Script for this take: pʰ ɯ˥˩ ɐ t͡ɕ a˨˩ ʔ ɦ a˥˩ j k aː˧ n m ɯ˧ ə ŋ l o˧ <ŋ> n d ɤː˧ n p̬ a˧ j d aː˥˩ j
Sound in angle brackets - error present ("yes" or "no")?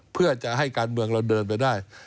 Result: yes